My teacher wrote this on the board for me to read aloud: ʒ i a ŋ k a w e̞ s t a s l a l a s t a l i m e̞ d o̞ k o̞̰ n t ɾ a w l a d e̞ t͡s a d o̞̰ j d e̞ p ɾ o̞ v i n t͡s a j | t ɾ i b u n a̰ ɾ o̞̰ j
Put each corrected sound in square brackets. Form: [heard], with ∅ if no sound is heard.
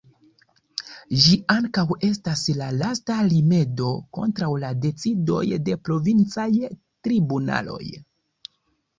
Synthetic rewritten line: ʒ i a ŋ k a w e̞ s t a s l a l a s t a l i m e̞ d o̞ k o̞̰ n t ɾ a w l a d e̞ t͡s [i] d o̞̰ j d e̞ p ɾ o̞ v i n t͡s a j | t ɾ i b u n a̰ [l] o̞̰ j